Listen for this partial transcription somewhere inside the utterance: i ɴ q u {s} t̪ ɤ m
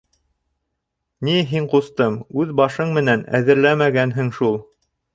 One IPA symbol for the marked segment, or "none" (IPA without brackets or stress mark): s